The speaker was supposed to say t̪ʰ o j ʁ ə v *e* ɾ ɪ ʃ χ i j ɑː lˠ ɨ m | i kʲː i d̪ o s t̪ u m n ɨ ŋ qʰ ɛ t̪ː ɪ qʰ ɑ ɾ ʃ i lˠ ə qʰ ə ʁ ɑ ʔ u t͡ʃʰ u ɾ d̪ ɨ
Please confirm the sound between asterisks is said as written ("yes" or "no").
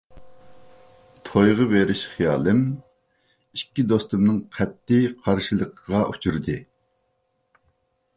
yes